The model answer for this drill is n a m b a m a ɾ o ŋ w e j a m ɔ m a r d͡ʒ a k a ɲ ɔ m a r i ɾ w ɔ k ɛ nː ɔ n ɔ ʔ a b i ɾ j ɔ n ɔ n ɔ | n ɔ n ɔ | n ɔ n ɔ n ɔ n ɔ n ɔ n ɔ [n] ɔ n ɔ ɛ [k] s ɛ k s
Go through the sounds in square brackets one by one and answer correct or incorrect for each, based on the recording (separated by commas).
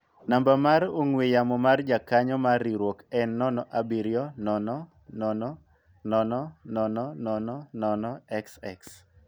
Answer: correct, correct